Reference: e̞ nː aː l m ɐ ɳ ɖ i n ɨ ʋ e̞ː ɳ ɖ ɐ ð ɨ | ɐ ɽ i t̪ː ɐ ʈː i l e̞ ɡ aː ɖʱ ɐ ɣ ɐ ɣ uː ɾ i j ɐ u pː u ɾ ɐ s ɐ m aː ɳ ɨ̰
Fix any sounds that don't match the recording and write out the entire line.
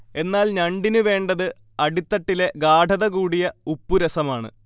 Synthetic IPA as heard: e̞ nː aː l ɲ ɐ ɳ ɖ i n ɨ ʋ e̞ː ɳ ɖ ɐ ð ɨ | ɐ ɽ i t̪ː ɐ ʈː i l e̞ ɡ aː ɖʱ ɐ ð ɐ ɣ uː ɽ i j ɐ u pː u ɾ ɐ s ɐ m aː ɳ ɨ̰